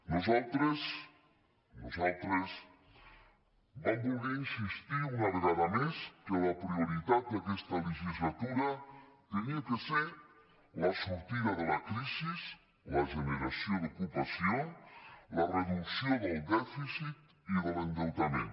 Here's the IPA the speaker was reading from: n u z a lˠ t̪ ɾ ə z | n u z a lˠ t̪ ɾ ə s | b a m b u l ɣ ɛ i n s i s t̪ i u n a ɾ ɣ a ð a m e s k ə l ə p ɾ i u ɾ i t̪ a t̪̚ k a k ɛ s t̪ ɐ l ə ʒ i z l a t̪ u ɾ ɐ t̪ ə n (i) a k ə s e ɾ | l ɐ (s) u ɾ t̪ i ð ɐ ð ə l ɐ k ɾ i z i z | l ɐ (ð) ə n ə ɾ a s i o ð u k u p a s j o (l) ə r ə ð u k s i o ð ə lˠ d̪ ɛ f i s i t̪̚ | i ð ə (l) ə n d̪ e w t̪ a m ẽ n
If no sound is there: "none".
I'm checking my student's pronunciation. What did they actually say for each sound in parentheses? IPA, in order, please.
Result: i, s, ʒ, l, l

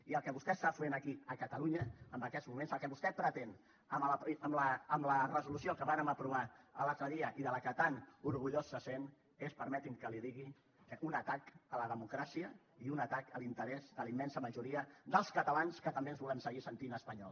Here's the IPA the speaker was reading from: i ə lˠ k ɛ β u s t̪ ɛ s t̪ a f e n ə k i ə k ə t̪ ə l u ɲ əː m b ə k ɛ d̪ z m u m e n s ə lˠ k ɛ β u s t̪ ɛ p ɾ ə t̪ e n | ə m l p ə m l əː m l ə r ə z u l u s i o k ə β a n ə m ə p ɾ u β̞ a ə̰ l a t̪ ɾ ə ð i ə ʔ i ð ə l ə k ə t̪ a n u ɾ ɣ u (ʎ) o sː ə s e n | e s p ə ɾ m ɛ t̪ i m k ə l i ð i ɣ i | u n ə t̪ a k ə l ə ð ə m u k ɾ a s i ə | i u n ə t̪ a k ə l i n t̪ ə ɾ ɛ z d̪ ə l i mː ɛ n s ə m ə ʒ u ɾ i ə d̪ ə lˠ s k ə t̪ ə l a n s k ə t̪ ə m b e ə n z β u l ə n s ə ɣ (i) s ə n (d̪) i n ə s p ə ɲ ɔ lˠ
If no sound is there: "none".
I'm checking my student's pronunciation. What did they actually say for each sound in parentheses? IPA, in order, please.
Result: ʎ, i, t̪

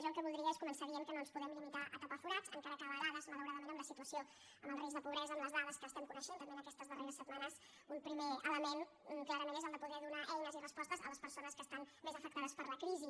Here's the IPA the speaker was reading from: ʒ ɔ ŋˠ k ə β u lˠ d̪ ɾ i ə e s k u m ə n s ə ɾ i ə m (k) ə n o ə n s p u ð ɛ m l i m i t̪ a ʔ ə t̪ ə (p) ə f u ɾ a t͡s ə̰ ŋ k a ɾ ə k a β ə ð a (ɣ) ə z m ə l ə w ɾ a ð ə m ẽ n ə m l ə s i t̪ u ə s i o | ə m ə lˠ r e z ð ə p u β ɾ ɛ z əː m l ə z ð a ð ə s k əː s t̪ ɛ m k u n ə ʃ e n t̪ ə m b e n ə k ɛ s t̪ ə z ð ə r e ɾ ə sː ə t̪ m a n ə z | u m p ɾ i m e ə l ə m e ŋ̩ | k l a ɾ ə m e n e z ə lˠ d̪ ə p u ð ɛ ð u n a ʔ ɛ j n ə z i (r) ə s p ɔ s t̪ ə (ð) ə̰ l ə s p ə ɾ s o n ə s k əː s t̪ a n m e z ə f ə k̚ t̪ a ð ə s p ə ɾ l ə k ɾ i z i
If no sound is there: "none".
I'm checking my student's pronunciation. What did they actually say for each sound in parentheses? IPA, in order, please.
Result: k, p, ð, r, z

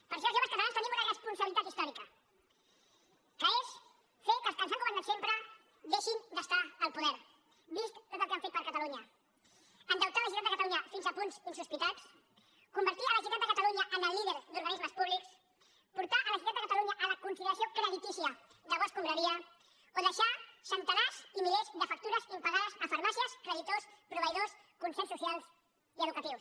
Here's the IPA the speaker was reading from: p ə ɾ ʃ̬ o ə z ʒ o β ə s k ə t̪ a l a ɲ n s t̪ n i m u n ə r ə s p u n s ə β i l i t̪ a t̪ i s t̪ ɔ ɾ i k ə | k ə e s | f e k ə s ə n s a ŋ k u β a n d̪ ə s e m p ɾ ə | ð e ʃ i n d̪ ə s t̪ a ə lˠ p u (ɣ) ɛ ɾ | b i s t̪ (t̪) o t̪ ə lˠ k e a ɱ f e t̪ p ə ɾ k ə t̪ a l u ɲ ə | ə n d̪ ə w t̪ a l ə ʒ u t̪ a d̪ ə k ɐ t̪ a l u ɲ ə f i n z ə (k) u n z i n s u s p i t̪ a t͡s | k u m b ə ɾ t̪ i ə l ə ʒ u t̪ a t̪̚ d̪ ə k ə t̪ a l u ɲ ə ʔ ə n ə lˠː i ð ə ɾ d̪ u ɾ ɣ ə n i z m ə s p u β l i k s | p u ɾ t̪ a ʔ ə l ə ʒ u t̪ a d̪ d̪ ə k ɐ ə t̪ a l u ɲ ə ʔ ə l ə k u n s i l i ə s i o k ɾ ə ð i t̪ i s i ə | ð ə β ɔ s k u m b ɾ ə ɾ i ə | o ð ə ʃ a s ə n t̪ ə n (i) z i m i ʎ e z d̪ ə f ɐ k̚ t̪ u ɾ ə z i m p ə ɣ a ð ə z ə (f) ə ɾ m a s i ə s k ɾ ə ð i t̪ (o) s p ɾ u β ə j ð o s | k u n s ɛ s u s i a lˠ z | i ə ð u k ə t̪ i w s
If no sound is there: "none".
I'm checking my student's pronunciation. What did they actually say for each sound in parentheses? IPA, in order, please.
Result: ð, t̪, p, a, f, o

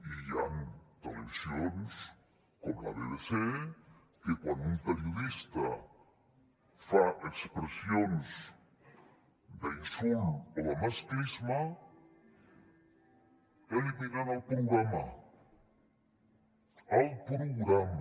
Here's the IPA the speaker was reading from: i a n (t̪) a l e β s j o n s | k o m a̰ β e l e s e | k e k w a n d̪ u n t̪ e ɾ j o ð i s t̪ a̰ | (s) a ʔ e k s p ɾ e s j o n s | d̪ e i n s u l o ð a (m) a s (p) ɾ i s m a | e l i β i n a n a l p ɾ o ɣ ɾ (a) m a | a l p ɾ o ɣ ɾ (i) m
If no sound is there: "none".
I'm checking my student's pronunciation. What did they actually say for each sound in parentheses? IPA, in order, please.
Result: t̪, f, m, k, a, a

